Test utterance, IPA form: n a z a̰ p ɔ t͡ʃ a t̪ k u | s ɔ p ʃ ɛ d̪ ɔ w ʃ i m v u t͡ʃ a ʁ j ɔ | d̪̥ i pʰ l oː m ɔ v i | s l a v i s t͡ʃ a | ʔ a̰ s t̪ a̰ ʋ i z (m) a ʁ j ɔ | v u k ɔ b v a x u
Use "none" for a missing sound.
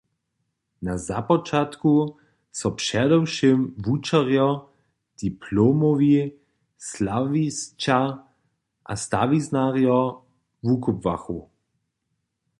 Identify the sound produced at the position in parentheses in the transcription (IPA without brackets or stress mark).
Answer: n